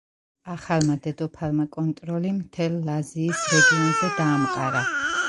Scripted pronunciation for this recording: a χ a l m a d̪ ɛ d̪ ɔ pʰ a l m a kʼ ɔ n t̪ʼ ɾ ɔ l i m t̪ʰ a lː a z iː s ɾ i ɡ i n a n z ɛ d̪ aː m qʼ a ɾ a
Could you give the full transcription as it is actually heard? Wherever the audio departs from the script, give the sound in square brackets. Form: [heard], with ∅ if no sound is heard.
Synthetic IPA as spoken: a χ a l m a d̪ ɛ d̪ ɔ pʰ a l m a kʼ ɔ n t̪ʼ ɾ ɔ l i m t̪ʰ [ɛ] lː a z iː s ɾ [ɛ] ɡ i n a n z ɛ d̪ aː m qʼ a ɾ a